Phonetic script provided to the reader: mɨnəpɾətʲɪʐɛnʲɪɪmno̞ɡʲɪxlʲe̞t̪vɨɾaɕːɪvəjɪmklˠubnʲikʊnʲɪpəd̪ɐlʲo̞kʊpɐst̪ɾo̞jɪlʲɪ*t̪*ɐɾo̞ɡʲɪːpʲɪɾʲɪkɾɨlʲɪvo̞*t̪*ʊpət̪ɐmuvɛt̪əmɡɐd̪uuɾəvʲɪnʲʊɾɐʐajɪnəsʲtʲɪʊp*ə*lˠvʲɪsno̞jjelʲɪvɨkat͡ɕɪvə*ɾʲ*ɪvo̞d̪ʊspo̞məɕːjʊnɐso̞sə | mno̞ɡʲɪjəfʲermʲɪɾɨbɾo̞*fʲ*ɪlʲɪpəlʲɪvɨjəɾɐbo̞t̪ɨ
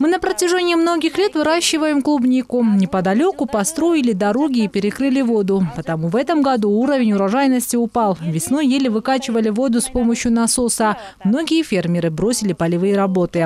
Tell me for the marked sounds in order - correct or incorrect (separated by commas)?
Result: incorrect, incorrect, incorrect, incorrect, incorrect